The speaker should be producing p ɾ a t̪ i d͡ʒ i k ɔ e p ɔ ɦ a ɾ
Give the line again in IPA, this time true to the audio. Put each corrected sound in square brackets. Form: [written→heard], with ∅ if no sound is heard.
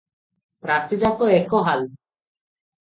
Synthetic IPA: p ɾ a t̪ i d͡ʒ [i→a] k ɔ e [p→k] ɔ ɦ a [ɾ→l]